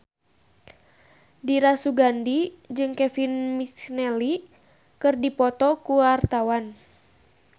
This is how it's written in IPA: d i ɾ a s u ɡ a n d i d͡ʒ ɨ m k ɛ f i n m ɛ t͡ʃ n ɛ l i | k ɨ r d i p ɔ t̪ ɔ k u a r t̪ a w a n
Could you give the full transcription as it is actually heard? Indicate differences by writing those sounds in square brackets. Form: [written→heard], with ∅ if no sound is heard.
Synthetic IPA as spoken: d i ɾ a s u ɡ a n d i d͡ʒ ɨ [m→ŋ] k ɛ f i n m [ɛ→i] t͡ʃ n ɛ l i | k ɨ r d i p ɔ t̪ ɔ k u a r t̪ a w a n